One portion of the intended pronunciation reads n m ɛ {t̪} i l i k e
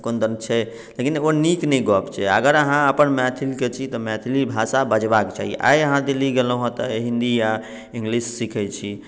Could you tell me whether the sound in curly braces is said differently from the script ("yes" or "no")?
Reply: yes